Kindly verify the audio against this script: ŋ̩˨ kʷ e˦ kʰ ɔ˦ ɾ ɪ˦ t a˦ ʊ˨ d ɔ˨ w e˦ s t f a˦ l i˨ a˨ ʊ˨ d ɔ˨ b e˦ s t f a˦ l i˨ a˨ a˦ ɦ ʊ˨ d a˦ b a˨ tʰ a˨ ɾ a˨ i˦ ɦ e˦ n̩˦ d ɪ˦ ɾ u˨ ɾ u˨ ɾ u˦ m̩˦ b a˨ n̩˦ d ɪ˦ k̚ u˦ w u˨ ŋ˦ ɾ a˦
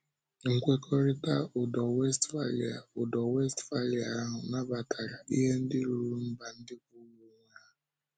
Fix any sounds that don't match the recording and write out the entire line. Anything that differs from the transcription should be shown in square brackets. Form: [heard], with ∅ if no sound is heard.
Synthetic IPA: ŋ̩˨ kʷ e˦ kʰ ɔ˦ ɾ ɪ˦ t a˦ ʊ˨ d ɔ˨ w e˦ s t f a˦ l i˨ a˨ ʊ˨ d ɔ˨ [w] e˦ s t f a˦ l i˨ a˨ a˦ ɦ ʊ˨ [n] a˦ b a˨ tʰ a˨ ɾ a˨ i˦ ɦ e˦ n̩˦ d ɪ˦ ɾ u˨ ɾ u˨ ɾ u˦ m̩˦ b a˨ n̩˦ d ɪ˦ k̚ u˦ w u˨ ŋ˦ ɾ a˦